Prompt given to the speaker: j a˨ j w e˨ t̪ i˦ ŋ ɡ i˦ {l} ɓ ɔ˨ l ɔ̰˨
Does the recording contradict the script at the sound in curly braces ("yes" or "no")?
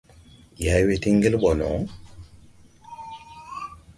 no